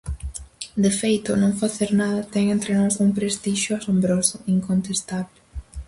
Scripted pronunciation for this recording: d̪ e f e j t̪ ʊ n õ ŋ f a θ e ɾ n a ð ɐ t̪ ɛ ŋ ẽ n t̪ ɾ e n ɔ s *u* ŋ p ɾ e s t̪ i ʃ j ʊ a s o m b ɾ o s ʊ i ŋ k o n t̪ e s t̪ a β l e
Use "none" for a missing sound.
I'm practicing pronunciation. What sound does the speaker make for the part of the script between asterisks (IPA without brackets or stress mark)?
u